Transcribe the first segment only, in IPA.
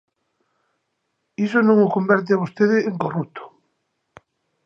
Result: i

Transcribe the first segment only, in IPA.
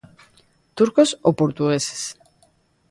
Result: t̪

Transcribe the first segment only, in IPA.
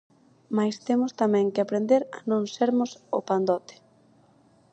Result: m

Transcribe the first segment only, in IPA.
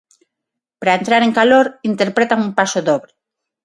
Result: p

